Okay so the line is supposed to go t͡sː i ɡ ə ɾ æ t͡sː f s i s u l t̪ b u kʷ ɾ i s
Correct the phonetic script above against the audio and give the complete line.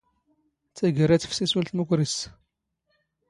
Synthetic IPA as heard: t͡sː æ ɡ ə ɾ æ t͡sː f s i s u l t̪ m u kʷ ɾ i s